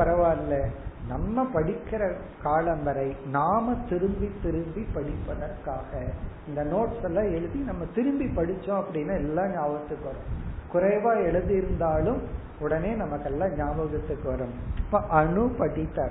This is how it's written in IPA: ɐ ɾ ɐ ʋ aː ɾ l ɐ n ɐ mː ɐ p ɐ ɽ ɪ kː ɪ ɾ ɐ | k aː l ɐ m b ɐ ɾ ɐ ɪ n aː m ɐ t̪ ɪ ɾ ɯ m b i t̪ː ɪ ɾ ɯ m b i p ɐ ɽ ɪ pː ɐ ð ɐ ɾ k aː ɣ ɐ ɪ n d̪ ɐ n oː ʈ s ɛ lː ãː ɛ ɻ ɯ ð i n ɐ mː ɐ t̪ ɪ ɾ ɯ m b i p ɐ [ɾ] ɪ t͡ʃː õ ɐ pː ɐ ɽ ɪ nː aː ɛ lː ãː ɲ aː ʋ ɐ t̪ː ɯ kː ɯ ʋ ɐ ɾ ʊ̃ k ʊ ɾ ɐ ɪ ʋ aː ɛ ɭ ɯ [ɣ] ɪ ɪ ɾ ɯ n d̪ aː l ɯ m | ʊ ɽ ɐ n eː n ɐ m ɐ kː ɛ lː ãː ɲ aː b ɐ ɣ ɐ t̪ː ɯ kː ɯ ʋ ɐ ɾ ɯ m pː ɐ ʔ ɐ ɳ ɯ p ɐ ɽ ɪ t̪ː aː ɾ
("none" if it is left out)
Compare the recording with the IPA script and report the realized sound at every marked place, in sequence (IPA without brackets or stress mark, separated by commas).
ɽ, ð